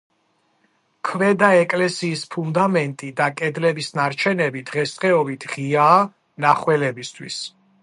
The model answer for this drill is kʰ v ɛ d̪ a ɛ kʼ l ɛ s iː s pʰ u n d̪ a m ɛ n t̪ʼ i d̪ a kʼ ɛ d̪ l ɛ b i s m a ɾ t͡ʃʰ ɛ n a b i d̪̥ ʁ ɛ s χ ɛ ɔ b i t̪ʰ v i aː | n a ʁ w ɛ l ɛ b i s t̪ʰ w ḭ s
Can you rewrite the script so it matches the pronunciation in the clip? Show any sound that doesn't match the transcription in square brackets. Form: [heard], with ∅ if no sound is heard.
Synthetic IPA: kʰ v ɛ d̪ a ɛ kʼ l ɛ s iː s pʰ u n d̪ a m ɛ n t̪ʼ i d̪ a kʼ ɛ d̪ l ɛ b i s [n] a ɾ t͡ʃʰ ɛ n [ɛ] b i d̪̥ ʁ ɛ s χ ɛ ɔ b i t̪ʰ [ʁ] i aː | n a [χ] w ɛ l ɛ b i s t̪ʰ w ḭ s